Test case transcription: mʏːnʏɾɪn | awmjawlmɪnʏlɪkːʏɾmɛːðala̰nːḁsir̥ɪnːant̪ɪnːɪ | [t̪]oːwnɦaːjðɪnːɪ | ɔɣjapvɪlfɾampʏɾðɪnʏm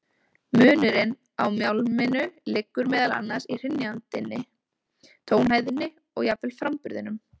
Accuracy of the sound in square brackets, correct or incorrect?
incorrect